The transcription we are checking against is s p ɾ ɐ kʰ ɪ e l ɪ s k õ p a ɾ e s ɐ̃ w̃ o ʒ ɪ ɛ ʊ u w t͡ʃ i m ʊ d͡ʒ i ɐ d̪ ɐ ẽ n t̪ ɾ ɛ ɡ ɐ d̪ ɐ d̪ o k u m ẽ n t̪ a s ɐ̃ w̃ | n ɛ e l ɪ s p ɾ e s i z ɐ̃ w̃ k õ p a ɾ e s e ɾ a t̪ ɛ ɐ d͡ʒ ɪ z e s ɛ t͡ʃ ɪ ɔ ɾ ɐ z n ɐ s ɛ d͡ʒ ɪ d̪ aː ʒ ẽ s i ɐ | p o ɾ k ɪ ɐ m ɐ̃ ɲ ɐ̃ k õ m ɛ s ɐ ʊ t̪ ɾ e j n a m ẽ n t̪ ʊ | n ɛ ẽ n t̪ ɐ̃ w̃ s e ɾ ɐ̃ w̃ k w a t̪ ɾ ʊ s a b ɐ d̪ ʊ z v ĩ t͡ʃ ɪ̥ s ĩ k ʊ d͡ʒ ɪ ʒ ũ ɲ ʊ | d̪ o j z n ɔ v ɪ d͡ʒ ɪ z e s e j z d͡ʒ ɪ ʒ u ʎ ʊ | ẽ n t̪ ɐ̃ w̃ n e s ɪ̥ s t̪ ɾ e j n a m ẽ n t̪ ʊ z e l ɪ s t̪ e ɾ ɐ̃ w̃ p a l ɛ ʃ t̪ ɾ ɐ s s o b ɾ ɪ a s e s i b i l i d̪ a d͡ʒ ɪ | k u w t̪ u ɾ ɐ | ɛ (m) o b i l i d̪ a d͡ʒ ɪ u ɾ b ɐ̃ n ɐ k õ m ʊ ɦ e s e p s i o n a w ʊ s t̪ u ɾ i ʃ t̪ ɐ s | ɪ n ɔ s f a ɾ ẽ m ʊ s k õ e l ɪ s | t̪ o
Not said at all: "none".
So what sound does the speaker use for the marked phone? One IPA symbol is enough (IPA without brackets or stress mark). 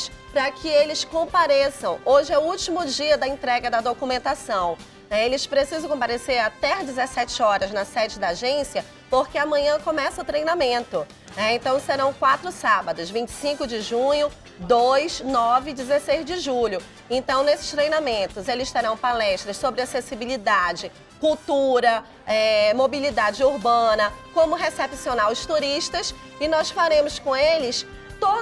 m